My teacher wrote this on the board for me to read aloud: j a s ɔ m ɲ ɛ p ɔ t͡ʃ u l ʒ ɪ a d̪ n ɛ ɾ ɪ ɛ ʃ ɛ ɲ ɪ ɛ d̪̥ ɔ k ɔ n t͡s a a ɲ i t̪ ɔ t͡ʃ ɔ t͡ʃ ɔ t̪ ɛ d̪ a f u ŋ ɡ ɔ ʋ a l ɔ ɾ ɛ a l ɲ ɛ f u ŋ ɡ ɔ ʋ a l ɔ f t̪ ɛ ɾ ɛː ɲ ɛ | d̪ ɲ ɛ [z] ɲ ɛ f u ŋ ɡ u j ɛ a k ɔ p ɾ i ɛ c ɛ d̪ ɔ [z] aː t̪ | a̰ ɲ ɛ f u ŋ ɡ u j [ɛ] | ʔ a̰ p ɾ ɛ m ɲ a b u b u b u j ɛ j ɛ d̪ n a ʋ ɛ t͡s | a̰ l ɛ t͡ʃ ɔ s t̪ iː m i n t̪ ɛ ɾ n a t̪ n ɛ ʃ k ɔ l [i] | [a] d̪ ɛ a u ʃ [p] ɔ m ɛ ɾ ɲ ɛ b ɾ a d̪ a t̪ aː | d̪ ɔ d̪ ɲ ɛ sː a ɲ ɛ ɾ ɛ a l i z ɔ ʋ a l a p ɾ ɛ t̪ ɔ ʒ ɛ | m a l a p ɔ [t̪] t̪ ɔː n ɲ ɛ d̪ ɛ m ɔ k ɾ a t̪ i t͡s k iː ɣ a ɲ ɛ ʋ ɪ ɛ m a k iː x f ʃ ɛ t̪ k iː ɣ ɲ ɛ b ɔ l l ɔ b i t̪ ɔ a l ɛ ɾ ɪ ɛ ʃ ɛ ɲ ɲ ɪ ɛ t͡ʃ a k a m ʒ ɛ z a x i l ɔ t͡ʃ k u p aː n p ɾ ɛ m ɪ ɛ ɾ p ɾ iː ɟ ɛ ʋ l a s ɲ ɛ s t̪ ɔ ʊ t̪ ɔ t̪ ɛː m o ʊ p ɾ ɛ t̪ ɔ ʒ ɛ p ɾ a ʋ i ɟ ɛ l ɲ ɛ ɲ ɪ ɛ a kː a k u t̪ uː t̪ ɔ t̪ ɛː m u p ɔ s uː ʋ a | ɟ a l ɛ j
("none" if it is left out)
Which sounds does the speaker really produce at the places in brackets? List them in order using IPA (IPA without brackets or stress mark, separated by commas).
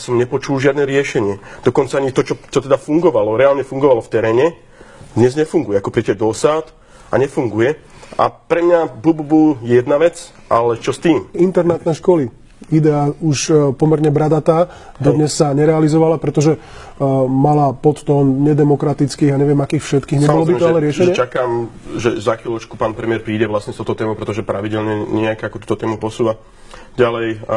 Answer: z, s, ɛ, i, i, p, t̪